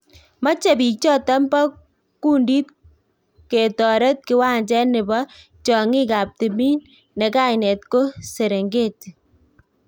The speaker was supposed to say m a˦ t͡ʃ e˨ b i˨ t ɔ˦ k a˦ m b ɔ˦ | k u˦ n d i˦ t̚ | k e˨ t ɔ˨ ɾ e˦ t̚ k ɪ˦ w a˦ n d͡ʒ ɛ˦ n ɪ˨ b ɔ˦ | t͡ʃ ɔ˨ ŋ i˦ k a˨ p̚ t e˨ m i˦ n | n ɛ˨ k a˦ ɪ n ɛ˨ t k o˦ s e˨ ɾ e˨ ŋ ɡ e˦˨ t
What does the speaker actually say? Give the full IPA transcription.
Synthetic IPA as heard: m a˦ t͡ʃ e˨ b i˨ t͡ʃ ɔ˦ t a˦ m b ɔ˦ | k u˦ n d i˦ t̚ | k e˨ t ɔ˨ ɾ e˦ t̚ k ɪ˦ w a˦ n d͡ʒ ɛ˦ n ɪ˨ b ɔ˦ | t͡ʃ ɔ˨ ŋ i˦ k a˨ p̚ t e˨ m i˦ n | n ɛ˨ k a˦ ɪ n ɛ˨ t k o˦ s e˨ ɾ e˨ ŋ ɡ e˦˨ t